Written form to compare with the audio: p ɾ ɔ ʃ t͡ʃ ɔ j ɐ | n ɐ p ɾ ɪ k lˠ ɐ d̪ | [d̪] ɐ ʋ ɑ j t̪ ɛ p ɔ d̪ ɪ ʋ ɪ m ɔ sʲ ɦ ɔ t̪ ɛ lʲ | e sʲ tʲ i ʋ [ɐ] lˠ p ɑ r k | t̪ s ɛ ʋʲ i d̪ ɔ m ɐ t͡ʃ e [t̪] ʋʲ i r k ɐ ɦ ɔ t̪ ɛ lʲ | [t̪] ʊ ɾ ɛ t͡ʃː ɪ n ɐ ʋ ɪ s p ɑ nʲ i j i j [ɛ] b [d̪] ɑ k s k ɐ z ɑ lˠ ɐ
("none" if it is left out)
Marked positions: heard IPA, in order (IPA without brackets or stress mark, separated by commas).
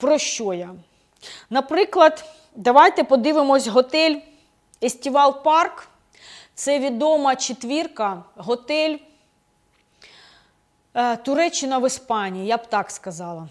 d̪, ɑ, t̪, t̪, a, t̪